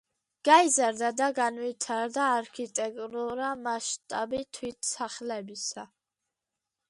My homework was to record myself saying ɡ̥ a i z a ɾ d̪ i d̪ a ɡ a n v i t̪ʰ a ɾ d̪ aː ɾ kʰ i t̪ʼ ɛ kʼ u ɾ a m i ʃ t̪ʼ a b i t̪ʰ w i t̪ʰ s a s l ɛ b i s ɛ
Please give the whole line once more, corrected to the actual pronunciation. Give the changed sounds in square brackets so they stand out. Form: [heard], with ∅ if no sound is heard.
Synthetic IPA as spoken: ɡ̥ a i z a ɾ d̪ [a] d̪ a ɡ a n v i t̪ʰ a ɾ d̪ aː ɾ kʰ i t̪ʼ ɛ kʼ u ɾ a m [a] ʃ t̪ʼ a b i t̪ʰ w i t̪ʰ s a [χ] l ɛ b i s [a]